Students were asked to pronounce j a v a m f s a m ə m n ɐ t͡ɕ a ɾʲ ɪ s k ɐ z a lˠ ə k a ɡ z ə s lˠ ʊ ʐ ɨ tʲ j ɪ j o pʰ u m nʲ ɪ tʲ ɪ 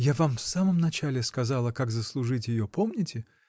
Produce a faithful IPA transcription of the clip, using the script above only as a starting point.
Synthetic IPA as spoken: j a v a m f s a m ə m n ɐ t͡ɕ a lʲ ɪ s k ɐ z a lˠ ə k a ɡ z ə s lˠ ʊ ʐ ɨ tʲ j ɪ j o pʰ o m nʲ ɪ tʲ ɪ